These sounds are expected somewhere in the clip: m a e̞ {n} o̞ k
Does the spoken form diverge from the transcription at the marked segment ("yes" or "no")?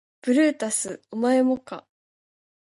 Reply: yes